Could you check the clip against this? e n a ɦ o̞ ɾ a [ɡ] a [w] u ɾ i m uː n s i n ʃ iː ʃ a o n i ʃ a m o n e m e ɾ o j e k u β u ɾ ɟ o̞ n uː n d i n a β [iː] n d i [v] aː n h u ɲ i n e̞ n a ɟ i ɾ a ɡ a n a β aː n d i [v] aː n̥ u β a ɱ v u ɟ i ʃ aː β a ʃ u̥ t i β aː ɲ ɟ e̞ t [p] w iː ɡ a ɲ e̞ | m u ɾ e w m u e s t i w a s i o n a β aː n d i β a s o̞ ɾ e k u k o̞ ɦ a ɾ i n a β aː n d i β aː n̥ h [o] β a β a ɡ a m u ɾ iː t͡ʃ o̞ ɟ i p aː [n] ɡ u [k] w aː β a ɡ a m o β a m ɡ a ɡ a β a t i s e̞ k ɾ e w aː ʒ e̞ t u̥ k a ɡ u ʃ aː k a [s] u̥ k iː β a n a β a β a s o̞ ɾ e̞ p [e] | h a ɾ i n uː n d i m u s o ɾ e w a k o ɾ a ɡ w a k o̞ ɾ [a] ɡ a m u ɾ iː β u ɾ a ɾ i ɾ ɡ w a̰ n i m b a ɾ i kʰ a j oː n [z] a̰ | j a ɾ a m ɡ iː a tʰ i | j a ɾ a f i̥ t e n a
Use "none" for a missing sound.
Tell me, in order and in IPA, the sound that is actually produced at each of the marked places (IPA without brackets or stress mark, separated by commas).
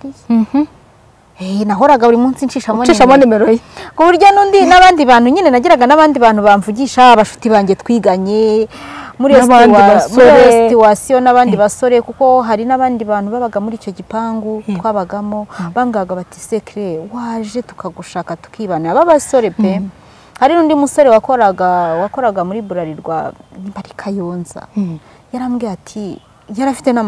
ɡ, β, aː, β, β, k, u, ŋ, t, t, e, a, z